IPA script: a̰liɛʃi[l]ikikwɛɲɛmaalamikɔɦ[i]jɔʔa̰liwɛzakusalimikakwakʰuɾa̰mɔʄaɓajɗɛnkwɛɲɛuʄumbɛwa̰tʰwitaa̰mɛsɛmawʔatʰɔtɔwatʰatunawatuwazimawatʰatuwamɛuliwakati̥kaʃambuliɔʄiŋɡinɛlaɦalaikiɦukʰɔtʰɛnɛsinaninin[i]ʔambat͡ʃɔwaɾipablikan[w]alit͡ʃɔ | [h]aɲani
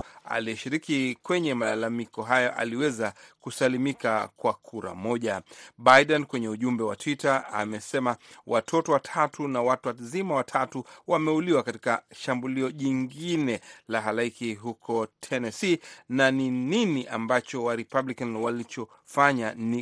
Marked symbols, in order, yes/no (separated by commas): no, no, yes, yes, no